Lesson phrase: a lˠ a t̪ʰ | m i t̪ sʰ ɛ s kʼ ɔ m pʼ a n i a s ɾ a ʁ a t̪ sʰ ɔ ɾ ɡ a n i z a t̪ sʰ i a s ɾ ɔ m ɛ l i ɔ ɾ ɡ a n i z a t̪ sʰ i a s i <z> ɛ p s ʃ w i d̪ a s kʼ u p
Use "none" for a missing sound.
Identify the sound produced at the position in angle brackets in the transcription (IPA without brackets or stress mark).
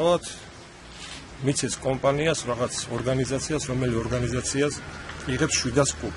ʁ